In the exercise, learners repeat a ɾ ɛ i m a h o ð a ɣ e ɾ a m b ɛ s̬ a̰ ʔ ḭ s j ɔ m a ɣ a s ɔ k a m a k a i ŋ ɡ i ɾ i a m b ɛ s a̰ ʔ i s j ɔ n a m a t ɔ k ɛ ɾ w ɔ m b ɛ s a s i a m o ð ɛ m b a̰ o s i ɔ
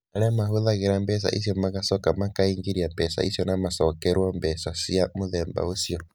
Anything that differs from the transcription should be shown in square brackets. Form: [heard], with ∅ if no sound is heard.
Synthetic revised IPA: a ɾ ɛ [a] m a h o ð a ɣ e ɾ a m b ɛ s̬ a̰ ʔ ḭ s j ɔ m a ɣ a s ɔ k a m a k a i ŋ ɡ i ɾ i a m b ɛ s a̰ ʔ i s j ɔ n a m a [s] ɔ k ɛ ɾ w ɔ m b ɛ s a s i a m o ð ɛ m b a̰ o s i ɔ